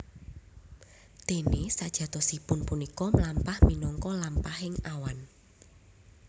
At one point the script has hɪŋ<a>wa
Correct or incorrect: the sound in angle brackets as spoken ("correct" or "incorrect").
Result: correct